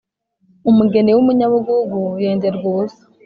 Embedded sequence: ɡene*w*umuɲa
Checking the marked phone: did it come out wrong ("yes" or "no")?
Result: no